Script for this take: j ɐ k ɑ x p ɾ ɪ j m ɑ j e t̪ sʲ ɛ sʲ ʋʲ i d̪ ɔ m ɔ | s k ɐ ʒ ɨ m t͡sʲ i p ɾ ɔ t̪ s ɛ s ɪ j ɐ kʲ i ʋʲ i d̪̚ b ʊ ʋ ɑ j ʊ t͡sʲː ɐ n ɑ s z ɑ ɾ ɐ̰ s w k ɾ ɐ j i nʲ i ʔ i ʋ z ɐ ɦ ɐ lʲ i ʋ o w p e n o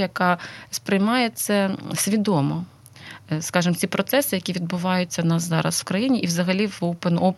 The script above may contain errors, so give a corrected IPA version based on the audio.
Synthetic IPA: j ɐ k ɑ s p ɾ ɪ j m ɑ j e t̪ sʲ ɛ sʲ ʋʲ i d̪ ɔ m ɔ | s k ɑ ʒ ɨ m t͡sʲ i p ɾ ɔ t̪ s ɛ s ɪ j ɐ kʲ i ʋʲ i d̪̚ b ʊ ʋ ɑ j ʊ t͡sʲː ɐ n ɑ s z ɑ ɾ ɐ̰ s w k ɾ ɐ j i nʲ i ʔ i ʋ z ɐ ɦ ɐ lʲ i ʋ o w p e n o